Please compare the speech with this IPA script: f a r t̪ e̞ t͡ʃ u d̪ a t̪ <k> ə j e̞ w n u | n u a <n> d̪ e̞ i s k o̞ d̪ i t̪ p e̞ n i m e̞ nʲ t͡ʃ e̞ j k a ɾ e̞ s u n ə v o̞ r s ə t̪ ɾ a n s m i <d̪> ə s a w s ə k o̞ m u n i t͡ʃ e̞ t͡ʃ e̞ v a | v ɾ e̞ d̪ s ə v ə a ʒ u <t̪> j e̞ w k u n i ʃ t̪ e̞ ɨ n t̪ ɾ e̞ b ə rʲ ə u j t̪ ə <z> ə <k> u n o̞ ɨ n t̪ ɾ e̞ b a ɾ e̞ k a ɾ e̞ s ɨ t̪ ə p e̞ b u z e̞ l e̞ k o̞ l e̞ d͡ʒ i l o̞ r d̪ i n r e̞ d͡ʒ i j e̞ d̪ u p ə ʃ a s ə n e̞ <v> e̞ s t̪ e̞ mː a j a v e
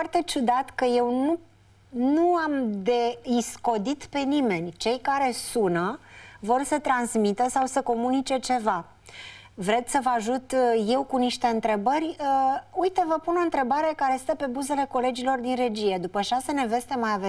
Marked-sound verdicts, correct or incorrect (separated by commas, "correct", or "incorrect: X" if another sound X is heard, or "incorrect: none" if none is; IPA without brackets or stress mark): correct, incorrect: m, incorrect: t̪, correct, incorrect: v, incorrect: p, correct